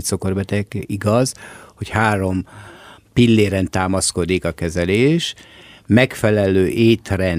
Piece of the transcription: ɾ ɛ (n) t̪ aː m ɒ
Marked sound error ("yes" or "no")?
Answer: no